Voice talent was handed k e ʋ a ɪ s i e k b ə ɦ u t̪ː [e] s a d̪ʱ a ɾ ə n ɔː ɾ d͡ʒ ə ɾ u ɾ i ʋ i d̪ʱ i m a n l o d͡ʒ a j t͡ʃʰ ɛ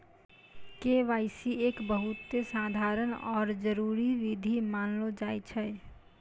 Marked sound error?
no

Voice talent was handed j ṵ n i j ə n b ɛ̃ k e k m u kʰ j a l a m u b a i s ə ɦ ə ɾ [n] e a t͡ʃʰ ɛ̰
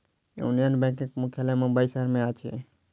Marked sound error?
yes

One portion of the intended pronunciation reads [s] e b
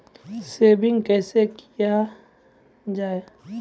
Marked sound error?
no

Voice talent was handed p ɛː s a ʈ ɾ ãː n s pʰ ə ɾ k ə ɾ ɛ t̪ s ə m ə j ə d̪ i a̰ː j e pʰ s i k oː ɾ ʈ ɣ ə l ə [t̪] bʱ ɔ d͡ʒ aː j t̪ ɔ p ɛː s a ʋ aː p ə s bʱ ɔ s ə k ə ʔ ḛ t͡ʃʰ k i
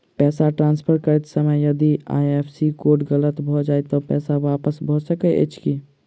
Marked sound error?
no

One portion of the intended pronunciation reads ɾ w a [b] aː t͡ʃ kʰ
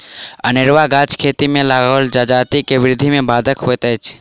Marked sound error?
yes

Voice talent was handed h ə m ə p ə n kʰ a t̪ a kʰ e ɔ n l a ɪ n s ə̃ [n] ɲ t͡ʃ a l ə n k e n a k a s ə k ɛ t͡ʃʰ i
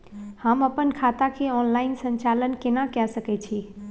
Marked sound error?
yes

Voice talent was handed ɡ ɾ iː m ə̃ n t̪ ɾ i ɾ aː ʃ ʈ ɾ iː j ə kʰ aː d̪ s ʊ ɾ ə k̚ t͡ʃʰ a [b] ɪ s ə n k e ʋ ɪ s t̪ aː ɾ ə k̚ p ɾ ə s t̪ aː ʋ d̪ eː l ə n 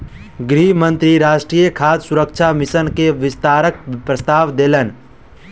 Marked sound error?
yes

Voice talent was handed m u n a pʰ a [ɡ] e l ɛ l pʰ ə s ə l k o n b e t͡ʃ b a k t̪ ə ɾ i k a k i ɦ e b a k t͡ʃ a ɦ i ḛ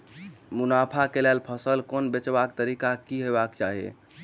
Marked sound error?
yes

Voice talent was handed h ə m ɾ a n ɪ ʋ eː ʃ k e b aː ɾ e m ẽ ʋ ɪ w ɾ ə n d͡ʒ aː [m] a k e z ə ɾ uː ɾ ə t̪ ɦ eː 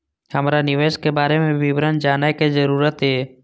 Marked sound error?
yes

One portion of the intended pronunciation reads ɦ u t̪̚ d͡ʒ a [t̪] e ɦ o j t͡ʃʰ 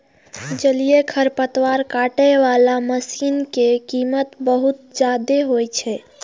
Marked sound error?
yes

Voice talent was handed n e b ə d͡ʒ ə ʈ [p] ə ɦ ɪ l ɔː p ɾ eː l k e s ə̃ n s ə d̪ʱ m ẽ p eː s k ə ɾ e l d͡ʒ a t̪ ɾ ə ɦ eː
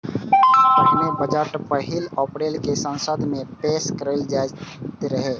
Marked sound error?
no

